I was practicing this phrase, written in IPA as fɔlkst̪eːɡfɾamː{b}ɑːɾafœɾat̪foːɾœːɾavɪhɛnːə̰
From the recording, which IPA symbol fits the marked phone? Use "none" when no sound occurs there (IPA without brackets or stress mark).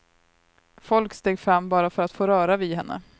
b